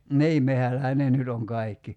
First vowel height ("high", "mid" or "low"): high